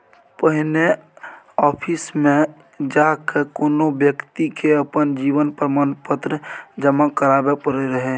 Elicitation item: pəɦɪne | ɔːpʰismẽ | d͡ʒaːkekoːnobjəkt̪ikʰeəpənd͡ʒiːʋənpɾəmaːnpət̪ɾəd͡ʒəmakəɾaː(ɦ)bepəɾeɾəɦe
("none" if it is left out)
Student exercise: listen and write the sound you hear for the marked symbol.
none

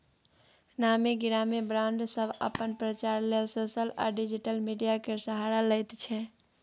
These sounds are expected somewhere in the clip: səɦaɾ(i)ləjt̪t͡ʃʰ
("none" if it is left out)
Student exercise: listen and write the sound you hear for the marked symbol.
a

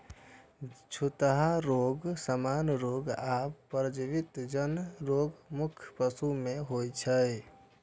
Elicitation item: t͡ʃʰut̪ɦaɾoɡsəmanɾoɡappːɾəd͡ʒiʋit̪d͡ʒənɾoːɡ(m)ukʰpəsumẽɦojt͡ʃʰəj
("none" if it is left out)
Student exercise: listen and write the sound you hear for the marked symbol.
m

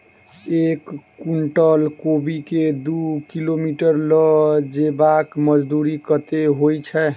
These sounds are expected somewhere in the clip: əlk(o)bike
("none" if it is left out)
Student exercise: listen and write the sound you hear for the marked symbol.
o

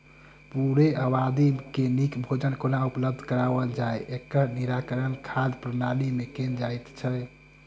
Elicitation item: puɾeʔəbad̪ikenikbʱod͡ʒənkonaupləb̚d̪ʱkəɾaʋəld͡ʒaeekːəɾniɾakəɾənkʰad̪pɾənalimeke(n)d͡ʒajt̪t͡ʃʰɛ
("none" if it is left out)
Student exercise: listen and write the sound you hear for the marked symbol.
n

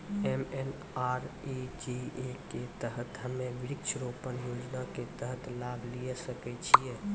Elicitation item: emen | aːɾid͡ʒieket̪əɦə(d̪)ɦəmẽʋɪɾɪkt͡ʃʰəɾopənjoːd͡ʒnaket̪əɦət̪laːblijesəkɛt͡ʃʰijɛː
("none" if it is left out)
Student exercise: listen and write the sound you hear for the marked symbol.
t̪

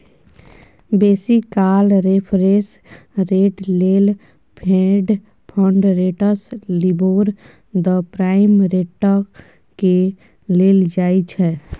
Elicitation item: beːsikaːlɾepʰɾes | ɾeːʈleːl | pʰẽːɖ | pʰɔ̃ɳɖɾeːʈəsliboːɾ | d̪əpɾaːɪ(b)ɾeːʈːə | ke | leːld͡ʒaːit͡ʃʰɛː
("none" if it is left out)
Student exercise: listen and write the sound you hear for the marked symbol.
m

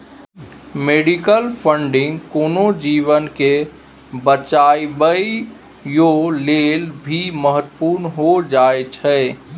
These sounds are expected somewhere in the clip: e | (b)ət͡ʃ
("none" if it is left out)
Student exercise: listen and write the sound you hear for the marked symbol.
b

